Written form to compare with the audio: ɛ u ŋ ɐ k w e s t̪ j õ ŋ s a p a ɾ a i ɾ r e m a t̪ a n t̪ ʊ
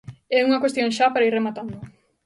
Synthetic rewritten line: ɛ u ŋ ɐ k w e s t̪ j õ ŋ ʃ a p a ɾ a i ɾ r e m a t̪ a n d̪ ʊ